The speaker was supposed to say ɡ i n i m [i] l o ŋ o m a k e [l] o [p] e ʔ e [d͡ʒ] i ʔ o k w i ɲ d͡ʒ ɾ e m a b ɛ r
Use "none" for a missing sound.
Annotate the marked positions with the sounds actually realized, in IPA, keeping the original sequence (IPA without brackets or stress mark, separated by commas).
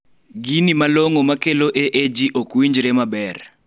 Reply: a, l, ʔ, d͡ʒ